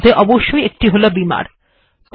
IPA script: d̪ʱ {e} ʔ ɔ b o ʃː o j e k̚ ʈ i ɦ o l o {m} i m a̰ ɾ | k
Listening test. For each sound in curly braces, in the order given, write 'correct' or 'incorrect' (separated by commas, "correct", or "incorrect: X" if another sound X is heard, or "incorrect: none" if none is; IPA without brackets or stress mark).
correct, incorrect: b